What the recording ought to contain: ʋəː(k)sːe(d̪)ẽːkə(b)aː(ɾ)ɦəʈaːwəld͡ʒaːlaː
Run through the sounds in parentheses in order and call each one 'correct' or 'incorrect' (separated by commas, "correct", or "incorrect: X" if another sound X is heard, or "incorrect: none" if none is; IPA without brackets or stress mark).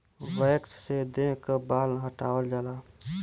correct, correct, correct, incorrect: l